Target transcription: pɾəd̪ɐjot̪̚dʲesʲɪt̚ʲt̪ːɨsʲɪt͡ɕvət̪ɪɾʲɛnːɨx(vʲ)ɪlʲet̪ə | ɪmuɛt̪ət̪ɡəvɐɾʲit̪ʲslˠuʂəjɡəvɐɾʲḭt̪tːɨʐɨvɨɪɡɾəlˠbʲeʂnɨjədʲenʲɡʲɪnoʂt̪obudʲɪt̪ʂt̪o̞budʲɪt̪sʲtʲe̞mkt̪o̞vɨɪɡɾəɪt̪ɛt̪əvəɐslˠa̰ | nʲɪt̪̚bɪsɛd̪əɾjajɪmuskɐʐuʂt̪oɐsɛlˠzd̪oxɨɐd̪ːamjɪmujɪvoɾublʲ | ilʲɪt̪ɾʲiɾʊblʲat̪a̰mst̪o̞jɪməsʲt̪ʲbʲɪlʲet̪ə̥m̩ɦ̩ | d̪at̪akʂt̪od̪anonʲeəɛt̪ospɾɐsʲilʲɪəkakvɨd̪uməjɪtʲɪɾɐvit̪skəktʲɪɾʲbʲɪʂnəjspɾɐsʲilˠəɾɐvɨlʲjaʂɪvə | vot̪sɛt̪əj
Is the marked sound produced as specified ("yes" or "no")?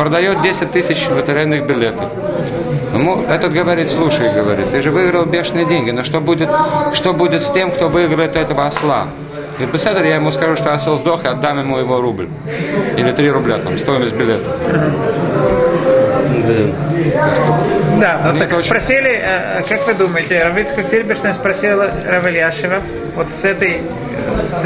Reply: no